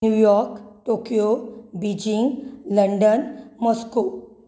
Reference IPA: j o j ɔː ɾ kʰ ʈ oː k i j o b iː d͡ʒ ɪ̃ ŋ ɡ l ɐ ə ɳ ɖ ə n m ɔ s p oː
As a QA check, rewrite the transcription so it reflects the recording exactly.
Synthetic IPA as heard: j u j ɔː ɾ k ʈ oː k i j o b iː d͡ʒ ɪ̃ ŋ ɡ l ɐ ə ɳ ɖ ə n m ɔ s k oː